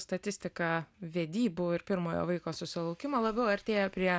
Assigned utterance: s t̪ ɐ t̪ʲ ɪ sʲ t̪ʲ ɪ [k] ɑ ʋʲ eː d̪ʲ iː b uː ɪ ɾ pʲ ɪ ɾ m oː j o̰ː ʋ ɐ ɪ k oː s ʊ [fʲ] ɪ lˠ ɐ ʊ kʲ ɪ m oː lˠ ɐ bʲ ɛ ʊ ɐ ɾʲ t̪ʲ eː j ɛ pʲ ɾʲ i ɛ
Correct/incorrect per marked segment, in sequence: correct, incorrect

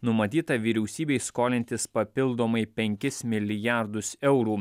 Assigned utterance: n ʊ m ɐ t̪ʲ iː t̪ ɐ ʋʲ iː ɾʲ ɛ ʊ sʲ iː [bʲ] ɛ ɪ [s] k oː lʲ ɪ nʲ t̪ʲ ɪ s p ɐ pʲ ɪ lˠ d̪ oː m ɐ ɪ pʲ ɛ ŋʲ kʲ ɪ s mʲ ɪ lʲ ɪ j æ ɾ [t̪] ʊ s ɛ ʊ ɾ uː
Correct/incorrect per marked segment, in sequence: correct, correct, incorrect

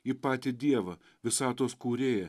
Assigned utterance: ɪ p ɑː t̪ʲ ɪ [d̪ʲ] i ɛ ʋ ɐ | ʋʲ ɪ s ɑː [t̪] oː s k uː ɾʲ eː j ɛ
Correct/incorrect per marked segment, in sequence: correct, correct

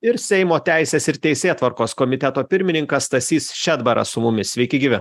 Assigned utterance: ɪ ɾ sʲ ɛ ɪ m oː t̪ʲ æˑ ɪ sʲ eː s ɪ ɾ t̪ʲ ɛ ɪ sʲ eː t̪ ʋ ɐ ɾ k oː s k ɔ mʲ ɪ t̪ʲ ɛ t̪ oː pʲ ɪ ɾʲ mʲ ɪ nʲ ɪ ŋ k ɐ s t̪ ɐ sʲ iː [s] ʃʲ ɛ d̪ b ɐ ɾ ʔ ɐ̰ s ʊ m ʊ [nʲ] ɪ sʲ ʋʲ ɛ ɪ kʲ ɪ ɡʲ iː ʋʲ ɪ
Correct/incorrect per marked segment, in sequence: correct, incorrect

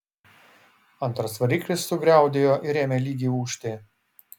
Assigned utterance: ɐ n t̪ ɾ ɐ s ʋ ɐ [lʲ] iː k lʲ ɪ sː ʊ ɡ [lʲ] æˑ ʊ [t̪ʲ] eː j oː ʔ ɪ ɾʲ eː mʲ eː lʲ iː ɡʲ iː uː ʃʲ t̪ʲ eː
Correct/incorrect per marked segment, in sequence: incorrect, incorrect, incorrect

